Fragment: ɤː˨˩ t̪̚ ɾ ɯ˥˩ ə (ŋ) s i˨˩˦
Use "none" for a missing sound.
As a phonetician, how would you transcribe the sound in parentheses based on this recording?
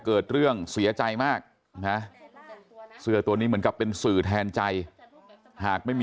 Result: ŋ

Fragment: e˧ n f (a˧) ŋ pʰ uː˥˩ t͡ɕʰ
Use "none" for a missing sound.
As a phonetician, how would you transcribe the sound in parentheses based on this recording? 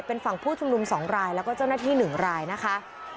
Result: a˨˩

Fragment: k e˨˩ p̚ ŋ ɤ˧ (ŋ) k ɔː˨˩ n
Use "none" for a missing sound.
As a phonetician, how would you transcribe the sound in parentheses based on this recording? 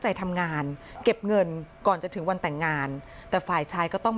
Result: n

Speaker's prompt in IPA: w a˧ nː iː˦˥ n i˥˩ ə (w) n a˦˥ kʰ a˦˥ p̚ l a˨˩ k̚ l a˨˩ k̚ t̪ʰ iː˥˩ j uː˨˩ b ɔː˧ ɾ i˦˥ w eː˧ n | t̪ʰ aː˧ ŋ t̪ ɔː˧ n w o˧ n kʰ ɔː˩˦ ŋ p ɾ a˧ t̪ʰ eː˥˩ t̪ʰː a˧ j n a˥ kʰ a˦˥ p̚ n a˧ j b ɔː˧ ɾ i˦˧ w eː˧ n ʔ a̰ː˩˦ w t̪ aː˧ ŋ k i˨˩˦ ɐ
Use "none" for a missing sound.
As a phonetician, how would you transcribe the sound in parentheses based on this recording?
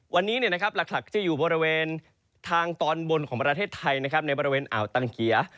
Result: none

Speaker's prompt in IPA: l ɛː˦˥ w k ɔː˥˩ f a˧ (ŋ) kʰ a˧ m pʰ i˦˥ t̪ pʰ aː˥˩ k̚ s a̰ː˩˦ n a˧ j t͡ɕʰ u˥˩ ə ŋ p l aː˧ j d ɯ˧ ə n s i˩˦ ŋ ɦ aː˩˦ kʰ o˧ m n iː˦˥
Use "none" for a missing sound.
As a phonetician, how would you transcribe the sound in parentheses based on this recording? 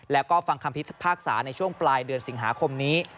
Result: ŋ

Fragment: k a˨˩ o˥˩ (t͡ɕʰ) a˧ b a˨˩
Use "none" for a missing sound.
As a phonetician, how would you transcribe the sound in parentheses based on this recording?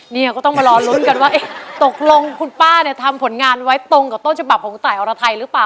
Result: t͡ɕʰ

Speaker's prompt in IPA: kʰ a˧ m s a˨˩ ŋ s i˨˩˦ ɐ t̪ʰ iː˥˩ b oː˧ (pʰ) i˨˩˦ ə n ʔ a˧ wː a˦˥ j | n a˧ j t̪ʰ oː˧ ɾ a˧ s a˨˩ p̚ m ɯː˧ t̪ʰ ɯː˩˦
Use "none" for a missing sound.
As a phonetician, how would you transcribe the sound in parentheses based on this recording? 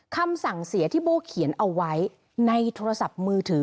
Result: kʰ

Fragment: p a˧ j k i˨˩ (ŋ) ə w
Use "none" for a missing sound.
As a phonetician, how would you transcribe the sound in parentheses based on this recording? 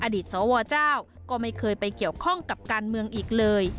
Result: none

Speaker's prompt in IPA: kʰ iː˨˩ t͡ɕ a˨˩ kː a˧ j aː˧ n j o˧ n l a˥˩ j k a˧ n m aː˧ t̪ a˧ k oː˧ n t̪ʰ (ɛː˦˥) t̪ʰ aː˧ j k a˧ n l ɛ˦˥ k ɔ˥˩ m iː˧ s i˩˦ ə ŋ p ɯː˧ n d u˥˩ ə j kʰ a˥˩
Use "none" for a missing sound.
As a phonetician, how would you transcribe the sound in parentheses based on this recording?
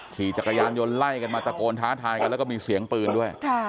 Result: aː˦˥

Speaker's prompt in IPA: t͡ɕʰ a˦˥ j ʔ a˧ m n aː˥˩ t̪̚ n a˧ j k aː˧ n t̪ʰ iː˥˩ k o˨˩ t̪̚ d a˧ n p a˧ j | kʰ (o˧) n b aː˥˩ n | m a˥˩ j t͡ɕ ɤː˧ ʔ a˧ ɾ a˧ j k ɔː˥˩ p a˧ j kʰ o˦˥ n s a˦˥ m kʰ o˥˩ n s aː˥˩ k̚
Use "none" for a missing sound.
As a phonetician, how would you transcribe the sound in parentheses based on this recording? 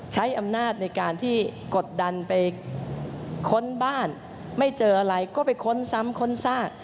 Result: o˦˥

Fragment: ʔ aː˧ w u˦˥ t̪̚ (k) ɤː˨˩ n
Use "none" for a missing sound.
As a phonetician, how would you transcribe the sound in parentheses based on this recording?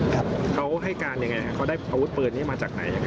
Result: p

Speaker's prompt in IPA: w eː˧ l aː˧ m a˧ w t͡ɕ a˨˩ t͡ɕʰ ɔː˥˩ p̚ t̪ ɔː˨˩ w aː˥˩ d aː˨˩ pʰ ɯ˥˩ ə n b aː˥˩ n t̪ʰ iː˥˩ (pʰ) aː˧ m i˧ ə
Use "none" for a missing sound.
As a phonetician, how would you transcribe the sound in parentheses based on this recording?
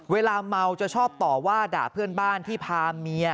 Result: pʰ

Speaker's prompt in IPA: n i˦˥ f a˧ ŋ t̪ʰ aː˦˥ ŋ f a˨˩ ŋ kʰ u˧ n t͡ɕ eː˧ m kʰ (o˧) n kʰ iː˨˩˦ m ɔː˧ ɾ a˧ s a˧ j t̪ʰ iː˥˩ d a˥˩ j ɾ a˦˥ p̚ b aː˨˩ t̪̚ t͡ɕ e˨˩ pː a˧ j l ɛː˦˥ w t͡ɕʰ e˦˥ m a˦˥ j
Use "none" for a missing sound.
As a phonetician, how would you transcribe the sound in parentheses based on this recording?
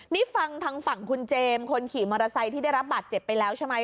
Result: o˧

